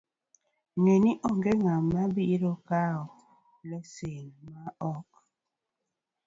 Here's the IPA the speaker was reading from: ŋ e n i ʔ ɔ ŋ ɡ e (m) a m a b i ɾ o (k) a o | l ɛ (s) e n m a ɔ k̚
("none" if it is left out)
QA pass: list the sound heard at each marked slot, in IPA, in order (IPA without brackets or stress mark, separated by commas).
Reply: ŋ, k, s